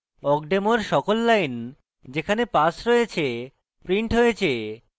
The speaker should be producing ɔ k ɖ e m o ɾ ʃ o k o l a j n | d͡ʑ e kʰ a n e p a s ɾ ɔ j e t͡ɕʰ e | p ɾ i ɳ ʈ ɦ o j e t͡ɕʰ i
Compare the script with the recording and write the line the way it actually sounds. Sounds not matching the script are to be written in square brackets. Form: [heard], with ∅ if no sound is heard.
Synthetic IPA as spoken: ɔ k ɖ e m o ɾ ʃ [ɔ] k o [lː] a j n | d͡ʑ e kʰ a n e p a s ɾ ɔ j e t͡ɕʰ e | p ɾ i ɳ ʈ ɦ o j e t͡ɕʰ [e]